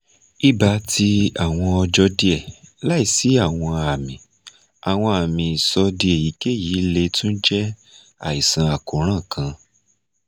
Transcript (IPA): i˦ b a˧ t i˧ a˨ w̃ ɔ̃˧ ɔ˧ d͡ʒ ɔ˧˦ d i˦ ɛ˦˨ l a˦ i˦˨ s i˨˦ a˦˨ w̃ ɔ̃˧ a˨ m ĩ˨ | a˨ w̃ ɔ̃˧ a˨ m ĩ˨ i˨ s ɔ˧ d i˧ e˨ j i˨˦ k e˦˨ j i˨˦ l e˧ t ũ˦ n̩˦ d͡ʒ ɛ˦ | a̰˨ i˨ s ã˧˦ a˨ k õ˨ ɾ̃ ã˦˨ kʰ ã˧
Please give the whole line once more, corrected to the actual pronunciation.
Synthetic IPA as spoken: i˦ b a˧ t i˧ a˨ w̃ ɔ̃˧ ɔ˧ d͡ʒ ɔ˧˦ d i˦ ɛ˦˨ l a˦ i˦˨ s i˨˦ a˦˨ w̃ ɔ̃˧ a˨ m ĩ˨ | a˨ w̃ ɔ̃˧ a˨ m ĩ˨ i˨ s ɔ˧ d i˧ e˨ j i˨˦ k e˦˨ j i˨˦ l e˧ t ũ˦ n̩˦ d͡ʒ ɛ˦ | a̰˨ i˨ s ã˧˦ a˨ k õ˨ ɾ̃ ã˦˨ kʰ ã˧